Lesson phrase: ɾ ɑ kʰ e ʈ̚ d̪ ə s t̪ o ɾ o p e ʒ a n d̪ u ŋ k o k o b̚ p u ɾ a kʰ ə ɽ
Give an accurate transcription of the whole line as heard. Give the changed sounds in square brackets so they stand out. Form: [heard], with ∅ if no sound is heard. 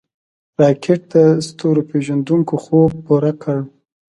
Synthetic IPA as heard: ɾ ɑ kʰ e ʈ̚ d̪ ə s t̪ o ɾ o p e ʒ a n d̪ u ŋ k o [x] o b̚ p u ɾ a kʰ ə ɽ